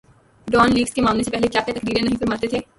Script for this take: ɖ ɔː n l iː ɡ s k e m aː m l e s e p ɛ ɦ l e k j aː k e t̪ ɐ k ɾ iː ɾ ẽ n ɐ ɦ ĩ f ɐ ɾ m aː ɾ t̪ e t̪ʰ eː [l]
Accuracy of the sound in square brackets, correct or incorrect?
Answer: incorrect